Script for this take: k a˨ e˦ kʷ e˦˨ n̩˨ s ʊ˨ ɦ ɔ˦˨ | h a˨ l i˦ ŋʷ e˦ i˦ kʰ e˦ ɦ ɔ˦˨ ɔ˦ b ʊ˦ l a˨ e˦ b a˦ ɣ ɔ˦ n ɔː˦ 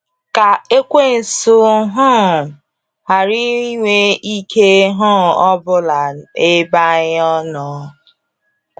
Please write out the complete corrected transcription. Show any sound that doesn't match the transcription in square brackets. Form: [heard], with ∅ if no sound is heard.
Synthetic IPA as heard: k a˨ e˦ kʷ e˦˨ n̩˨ s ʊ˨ ɦ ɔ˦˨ | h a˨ [ɾ] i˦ ŋʷ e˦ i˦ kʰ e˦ ɦ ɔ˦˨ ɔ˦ b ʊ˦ l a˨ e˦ b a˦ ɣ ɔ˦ n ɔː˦